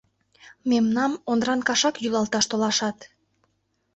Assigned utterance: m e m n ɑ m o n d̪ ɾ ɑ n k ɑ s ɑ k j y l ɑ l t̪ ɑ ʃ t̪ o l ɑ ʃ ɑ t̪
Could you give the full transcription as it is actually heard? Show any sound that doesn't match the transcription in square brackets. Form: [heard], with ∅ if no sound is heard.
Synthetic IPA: m e m n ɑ m o n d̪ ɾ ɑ n k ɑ [ʃ] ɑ k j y l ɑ l t̪ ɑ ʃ t̪ o l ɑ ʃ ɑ t̪